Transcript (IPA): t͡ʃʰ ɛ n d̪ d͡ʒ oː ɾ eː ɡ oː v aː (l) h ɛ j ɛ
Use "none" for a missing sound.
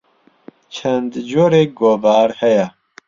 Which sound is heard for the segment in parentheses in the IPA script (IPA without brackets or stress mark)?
ɾ